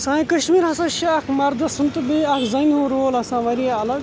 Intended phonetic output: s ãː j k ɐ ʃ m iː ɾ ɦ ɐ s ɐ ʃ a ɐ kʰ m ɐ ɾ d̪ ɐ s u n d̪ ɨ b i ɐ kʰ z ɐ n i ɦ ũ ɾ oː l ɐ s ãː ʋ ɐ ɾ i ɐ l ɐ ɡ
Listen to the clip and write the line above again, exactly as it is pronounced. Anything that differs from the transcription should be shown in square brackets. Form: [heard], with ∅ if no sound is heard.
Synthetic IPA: s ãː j k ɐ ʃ m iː ɾ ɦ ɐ s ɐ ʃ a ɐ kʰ m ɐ ɾ d̪ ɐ s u n [t̪] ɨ b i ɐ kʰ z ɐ n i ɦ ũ ɾ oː l ɐ s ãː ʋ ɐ ɾ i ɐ l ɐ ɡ